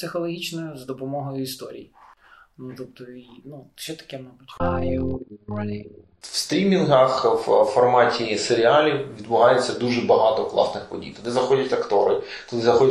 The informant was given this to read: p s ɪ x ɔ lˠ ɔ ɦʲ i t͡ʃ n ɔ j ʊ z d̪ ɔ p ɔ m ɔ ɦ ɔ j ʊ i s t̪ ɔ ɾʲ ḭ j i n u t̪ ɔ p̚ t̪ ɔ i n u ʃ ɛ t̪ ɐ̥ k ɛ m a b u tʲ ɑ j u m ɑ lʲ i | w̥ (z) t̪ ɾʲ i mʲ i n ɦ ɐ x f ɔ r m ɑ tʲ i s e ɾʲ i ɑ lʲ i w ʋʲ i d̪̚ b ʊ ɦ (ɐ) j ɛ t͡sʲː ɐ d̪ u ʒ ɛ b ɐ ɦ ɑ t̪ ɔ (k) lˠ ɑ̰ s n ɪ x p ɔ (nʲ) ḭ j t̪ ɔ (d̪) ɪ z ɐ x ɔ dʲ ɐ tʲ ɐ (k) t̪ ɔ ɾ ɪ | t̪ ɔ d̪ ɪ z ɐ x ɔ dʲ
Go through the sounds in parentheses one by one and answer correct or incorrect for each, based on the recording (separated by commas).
incorrect, incorrect, correct, incorrect, correct, correct